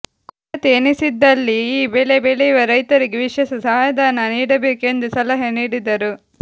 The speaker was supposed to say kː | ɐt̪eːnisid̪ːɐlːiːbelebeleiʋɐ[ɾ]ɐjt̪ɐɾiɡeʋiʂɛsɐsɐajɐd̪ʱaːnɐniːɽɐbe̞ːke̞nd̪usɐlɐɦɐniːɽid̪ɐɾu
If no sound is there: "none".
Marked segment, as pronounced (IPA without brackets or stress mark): ɾ